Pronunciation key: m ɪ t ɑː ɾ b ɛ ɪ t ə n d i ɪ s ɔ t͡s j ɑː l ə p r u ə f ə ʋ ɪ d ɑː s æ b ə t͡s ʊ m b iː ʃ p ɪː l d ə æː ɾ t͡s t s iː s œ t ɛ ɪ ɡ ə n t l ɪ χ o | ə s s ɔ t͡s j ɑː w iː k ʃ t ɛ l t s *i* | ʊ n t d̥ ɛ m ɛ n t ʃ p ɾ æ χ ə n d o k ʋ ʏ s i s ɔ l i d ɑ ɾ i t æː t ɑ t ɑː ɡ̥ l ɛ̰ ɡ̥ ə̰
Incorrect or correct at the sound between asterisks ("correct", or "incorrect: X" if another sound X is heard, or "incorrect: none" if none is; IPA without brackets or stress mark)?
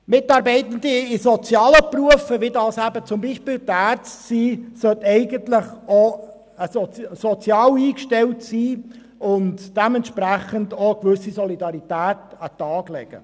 incorrect: iː